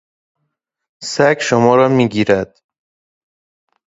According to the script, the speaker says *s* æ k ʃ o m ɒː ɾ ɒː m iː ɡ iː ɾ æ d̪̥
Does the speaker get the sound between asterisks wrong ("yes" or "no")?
no